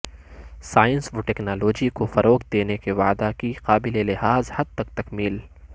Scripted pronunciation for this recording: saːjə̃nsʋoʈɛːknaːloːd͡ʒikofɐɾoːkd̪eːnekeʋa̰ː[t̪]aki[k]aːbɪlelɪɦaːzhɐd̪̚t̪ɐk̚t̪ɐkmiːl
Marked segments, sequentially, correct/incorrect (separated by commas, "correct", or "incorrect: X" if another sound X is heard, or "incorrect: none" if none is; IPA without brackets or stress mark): incorrect: d̪, incorrect: q